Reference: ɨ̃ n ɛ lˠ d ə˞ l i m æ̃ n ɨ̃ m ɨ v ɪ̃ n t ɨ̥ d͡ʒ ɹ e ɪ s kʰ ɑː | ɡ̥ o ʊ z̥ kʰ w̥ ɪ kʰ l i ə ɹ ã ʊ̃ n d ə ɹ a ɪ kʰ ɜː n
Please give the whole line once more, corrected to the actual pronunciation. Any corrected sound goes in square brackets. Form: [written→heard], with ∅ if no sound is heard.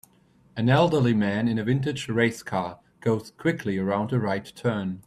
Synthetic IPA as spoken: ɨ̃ n ɛ lˠ d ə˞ l i m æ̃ n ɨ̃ [m→n] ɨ v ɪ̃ n t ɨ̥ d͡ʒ ɹ e ɪ s kʰ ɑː | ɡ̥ o ʊ z̥ kʰ w̥ ɪ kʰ l i ə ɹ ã ʊ̃ n d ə ɹ a ɪ [kʰ→tʰ] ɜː n